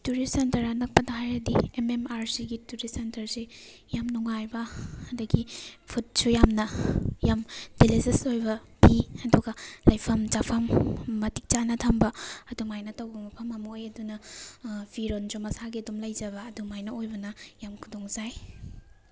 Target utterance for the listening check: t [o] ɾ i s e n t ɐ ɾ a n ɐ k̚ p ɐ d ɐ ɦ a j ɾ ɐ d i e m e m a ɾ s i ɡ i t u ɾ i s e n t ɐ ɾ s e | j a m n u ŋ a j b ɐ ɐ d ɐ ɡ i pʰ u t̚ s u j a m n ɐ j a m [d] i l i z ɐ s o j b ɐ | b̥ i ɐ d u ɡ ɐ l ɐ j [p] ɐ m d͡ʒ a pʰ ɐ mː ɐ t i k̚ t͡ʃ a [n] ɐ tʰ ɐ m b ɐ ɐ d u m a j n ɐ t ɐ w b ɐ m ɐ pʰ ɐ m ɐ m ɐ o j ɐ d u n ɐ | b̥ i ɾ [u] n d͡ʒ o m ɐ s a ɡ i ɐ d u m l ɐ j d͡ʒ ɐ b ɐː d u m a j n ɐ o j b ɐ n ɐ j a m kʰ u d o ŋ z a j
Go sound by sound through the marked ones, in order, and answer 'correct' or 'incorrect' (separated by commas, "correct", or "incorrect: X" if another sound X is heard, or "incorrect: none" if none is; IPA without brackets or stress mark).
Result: incorrect: u, correct, incorrect: pʰ, correct, incorrect: o